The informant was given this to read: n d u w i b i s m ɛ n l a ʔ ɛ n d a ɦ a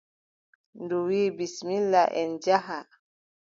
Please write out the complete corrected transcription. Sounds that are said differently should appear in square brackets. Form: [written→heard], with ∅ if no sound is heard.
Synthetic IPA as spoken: n d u w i b i s m [ɛ→i] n l a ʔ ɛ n [d→d͡ʒ] a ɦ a